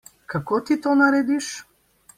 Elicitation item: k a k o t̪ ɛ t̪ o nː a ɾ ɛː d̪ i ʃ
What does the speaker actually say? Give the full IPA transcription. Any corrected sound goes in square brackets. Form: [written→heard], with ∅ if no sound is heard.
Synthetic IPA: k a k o t̪ [ɛ→i] t̪ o [nː→n] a ɾ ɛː d̪ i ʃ

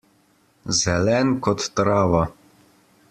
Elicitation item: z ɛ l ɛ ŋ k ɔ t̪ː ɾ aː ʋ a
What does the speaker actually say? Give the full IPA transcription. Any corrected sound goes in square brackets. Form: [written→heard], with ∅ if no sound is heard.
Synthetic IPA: z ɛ l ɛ [ŋ→n] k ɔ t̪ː ɾ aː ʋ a

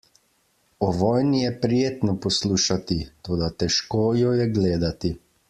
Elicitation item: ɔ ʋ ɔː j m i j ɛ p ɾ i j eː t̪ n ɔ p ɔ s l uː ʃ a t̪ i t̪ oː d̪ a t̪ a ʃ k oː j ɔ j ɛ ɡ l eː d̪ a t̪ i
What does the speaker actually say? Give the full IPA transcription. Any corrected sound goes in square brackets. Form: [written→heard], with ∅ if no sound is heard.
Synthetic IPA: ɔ ʋ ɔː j [m→n] i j ɛ p ɾ i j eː t̪ n ɔ p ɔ s l uː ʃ a t̪ i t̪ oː d̪ a t̪ [a→ɛ] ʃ k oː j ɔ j ɛ ɡ l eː d̪ a t̪ i

